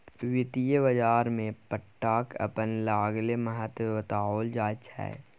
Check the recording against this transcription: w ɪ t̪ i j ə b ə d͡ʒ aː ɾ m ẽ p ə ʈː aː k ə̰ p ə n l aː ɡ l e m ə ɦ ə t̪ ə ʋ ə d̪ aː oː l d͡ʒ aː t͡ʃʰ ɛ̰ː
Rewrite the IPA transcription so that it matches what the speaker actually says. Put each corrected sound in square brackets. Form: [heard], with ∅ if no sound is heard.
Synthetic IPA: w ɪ t̪ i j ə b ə d͡ʒ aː ɾ m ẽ p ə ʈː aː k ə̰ p ə n l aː ɡ l e m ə ɦ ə t̪ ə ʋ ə [t̪] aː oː l d͡ʒ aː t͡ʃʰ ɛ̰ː